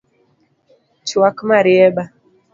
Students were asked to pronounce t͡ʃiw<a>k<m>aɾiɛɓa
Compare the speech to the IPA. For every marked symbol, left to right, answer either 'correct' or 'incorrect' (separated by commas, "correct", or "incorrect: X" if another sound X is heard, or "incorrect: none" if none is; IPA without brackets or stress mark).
correct, correct